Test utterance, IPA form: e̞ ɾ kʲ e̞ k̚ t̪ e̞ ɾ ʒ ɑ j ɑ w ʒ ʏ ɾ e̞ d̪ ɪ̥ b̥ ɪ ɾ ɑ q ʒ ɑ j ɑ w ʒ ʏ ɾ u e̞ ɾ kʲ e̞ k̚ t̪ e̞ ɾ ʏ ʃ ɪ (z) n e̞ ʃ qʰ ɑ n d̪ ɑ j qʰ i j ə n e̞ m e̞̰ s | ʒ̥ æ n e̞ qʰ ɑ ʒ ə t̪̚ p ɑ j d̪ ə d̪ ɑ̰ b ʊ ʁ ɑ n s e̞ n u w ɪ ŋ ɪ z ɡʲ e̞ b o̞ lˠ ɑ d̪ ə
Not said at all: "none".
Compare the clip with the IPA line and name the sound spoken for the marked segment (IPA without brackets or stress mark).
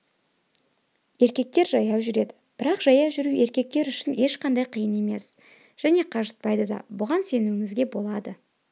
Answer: none